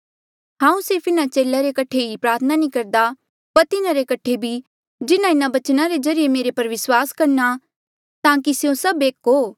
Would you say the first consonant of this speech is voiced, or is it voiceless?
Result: voiced